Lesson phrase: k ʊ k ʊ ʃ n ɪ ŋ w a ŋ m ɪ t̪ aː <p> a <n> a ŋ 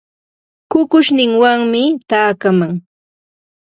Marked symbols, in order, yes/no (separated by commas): no, no